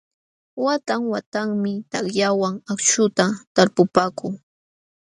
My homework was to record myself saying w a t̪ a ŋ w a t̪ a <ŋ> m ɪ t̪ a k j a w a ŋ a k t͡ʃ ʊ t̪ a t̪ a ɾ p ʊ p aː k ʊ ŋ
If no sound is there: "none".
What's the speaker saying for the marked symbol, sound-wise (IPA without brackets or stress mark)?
ŋ